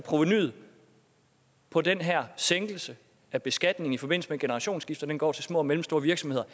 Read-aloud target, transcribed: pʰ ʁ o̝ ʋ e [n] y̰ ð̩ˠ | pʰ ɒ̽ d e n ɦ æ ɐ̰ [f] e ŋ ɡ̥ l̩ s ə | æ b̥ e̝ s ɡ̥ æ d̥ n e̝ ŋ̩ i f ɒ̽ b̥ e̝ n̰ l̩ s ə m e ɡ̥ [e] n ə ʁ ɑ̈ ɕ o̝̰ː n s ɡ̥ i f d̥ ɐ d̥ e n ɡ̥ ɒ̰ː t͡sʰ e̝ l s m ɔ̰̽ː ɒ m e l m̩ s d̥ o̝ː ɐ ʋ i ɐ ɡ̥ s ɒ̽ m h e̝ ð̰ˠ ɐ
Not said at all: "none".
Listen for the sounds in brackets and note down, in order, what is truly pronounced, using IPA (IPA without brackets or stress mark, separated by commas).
n, s, e